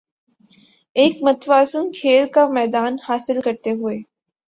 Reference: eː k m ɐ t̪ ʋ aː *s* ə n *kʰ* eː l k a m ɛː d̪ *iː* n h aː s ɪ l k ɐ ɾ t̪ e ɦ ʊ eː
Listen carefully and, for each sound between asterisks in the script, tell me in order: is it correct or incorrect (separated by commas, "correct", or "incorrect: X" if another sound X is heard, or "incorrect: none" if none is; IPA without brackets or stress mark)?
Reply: correct, correct, incorrect: aː